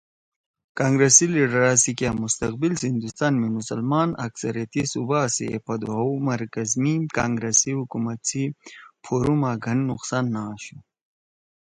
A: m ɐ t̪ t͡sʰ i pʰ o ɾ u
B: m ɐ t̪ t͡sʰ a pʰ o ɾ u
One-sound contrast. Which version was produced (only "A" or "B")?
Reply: A